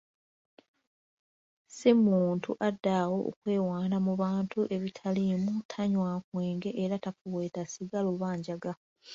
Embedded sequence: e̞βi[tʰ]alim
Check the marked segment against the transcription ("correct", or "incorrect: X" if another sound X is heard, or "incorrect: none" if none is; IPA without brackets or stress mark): correct